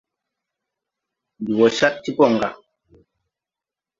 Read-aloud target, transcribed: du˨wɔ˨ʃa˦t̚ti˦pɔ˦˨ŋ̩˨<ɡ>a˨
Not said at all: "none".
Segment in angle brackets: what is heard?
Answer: ɡ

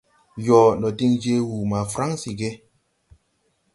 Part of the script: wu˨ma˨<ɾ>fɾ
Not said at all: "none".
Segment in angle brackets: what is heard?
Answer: none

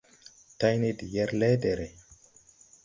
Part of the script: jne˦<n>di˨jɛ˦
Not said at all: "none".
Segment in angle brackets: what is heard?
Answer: none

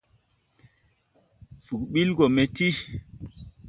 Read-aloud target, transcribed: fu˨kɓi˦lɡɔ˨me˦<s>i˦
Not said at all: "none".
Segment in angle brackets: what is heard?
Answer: t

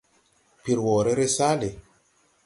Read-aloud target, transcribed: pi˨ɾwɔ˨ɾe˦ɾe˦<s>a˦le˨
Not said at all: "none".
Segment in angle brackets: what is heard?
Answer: s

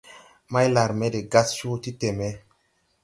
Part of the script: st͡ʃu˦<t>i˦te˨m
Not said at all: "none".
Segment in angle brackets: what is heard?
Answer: t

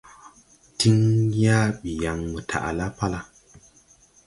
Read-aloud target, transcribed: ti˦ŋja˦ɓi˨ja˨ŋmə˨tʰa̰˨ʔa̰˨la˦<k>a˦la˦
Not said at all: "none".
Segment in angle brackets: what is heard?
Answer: p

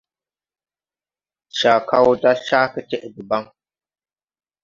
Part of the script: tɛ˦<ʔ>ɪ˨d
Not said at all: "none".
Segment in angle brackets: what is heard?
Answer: ʔ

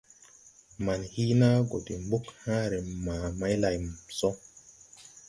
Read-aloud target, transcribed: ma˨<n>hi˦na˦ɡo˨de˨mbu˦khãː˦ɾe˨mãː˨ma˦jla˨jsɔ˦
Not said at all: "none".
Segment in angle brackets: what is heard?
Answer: n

